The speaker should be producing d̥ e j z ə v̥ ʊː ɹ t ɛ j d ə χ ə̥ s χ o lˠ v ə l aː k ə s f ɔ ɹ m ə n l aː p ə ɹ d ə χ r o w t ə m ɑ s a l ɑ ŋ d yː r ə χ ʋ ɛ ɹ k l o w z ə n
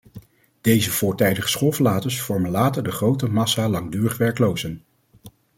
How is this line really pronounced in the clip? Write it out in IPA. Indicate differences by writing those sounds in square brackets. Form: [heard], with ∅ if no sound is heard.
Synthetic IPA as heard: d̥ e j z ə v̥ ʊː ɹ t ɛ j d ə χ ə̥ s χ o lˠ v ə l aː [t] ə s f ɔ ɹ m ə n l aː [t] ə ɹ d ə χ r o w t ə m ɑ s a l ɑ ŋ d yː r ə χ ʋ ɛ ɹ k l o w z ə n

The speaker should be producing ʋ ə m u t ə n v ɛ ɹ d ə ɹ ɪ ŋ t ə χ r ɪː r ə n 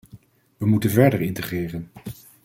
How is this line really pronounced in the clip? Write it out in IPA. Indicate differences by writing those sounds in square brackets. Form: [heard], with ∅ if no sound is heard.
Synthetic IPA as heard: ʋ ə m u t ə n v ɛ ɹ d ə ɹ ɪ [n] t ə χ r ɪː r ə n

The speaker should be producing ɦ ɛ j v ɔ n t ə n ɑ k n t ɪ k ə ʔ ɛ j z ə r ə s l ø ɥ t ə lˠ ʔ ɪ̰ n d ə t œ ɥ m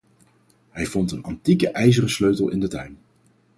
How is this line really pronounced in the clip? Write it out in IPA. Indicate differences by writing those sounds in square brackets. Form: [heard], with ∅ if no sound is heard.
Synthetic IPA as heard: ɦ ɛ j v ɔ n t ə n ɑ [∅] n t [i] k ə ʔ ɛ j z ə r ə s l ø ɥ t ə lˠ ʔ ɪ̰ n d ə t œ ɥ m

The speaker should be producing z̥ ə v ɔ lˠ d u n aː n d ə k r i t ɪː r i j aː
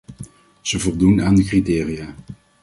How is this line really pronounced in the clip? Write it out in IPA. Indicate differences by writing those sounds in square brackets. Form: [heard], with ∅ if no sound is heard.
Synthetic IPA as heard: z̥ ə v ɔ lˠ d u n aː n d ə k r i t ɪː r i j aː

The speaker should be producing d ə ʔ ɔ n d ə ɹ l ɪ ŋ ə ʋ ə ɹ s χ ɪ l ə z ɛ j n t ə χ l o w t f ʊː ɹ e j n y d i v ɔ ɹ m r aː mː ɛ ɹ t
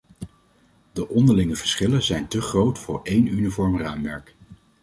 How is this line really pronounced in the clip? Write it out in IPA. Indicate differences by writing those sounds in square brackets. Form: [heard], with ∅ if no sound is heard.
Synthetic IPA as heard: d ə ʔ ɔ n d ə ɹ l ɪ ŋ ə [v] ə ɹ s χ ɪ l ə z ɛ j n t ə χ [r] o w t f ʊː ɹ e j n y [n] i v ɔ ɹ m r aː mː ɛ ɹ [k]

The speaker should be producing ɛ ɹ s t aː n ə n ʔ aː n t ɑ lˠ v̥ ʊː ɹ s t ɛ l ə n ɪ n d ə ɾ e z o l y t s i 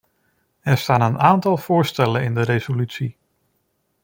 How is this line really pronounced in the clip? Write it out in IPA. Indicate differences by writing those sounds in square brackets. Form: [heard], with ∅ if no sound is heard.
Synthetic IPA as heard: ɛ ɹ s t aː n ə n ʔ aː n t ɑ lˠ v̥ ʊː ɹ s t ɛ l ə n ɪ n d ə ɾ e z o l y t s i

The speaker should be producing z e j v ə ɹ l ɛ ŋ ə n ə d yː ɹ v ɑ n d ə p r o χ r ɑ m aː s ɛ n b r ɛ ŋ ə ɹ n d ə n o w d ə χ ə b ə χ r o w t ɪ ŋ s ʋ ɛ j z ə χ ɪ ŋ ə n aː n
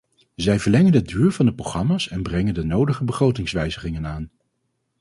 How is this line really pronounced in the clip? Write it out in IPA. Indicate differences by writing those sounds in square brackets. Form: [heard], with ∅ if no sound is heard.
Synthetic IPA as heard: z [ɛ] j v ə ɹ l ɛ ŋ ə n ə d yː ɹ v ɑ n d ə p r o χ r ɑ m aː s ɛ n b r ɛ ŋ ə [∅] n d ə n o w d ə χ ə b ə χ r o w t ɪ ŋ s ʋ ɛ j z ə χ ɪ ŋ ə n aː n

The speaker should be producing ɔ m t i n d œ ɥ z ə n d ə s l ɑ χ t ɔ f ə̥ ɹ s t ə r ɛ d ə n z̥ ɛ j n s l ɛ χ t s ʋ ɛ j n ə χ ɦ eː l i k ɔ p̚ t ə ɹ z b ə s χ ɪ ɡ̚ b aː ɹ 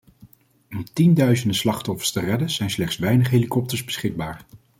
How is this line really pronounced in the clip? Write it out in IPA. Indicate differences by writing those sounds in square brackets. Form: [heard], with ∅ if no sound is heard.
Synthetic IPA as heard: ɔ m t i n d œ ɥ z ə n d ə s l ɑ χ t ɔ f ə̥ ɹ s t ə r ɛ d ə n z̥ ɛ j n s l ɛ χ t s ʋ ɛ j n ə χ ɦ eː l i k ɔ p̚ t ə ɹ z b ə s χ ɪ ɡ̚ b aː ɹ

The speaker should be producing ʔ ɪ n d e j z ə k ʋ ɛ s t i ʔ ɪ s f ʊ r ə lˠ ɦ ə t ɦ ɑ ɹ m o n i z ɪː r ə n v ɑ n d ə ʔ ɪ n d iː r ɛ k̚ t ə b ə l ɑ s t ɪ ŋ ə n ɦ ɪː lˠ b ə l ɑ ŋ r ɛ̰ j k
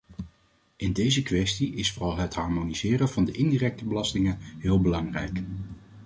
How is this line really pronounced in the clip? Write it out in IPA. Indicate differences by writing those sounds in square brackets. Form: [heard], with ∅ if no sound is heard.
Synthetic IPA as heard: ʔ ɪ n d e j z ə k ʋ ɛ s t i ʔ ɪ s f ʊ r [ɑ] lˠ ɦ ə t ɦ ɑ ɹ m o n i z ɪː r ə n v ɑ n d ə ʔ ɪ n d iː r ɛ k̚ t ə b ə l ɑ s t ɪ ŋ ə n ɦ ɪː lˠ b ə l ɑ ŋ r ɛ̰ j k

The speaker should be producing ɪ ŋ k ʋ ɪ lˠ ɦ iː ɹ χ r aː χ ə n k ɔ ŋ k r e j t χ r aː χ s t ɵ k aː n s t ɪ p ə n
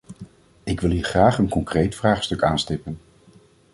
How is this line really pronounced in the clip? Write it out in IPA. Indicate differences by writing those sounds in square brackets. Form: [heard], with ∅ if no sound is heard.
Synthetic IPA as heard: ɪ [∅] k ʋ ɪ lˠ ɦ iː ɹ χ r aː χ ə n k ɔ ŋ k r e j t [f] r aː χ s t ɵ k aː n s t ɪ p ə n

